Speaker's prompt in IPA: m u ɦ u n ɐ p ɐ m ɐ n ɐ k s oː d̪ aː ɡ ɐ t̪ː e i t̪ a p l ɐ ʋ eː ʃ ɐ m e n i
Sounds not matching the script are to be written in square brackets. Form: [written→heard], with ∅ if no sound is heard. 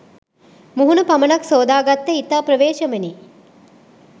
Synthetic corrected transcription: m u ɦ u n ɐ p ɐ m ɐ n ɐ k s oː d̪ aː ɡ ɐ t̪ː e i t̪ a p [l→ɾ] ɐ ʋ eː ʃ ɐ m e n i

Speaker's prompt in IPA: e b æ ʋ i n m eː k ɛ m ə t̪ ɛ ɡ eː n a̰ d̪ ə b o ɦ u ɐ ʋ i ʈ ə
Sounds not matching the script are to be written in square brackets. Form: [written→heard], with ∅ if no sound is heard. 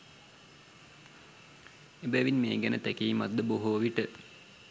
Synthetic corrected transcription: e b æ ʋ i n m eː [k→ɡ] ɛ [m→n] ə t̪ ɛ [ɡ→k] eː [n→m] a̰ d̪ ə b o ɦ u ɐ ʋ i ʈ ə

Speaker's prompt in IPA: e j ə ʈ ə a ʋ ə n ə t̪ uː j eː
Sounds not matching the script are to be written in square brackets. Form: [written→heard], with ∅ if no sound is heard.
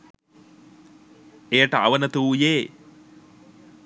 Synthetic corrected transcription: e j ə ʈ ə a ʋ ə n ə t̪ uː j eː

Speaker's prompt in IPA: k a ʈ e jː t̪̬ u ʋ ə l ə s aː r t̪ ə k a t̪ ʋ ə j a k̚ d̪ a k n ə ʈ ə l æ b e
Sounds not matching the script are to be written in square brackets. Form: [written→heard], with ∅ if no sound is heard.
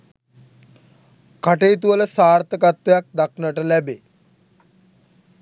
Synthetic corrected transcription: k a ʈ e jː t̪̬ u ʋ ə l ə s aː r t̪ ə k a t̪ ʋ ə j a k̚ d̪ a k n ə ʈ ə l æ b e

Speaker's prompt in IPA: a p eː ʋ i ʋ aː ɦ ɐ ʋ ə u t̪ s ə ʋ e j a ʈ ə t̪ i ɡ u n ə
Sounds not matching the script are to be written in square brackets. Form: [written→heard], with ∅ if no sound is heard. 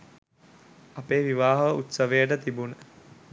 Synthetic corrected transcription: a p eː ʋ i ʋ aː ɦ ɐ ʋ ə u t̪ s ə ʋ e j [a→ə] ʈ ə t̪ i [ɡ→b] u n ə

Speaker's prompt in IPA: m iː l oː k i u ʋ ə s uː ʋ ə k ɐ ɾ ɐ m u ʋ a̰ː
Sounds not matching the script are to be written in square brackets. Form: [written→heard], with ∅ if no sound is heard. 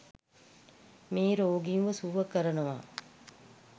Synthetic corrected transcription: m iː [l→ɾ] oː [k→ɡ] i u ʋ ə s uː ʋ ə k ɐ ɾ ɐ [m→n] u ʋ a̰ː

